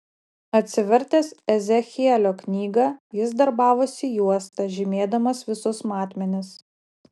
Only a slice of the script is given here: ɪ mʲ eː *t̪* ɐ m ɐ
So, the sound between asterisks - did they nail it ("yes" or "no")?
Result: no